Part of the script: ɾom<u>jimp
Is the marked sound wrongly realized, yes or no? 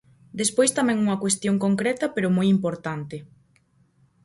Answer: yes